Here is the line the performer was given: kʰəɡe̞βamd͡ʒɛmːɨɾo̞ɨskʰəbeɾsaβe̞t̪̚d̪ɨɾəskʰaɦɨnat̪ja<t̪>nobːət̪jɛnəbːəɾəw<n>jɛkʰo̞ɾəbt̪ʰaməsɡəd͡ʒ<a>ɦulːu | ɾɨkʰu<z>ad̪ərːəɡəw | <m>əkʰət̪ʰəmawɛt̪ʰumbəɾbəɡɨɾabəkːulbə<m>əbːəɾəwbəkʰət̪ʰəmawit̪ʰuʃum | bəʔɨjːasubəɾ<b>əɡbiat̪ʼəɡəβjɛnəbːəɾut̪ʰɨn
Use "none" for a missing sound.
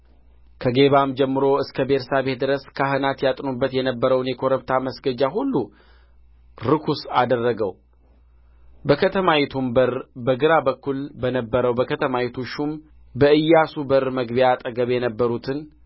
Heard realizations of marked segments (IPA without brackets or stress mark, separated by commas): t̪ʼ, n, a, s, b, n, m